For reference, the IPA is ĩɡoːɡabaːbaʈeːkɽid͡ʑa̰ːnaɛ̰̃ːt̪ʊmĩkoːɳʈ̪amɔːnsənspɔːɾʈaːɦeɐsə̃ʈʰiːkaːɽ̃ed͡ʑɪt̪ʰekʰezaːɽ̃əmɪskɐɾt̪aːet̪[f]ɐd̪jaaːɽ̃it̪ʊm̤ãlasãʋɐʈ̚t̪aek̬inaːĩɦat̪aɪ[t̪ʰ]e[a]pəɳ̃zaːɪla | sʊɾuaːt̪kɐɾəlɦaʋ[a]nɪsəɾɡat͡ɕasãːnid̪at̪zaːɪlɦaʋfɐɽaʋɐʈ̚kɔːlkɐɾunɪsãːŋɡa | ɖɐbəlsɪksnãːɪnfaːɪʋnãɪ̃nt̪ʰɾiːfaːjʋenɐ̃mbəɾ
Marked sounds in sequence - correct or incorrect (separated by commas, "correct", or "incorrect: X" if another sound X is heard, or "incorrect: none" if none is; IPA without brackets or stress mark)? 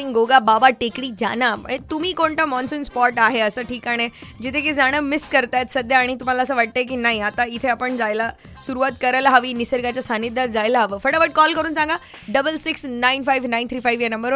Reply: incorrect: s, correct, incorrect: ɐ, incorrect: i